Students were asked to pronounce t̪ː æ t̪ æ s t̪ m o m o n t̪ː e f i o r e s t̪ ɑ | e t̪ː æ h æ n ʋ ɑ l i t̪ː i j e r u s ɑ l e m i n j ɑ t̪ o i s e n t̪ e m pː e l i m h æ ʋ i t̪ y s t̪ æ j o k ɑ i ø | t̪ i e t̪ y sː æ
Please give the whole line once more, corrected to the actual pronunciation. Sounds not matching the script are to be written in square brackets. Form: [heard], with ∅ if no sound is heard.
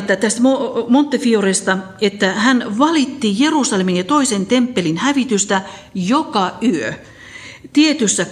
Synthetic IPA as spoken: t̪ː æ t̪ æ s t̪ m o m o n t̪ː e f i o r e s t̪ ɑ | e t̪ː æ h æ n ʋ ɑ l i t̪ː i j e r u s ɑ l e m i n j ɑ t̪ o i s e n t̪ e m pː e l i [n] h æ ʋ i t̪ y s t̪ æ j o k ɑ [y] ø | t̪ i e t̪ y sː æ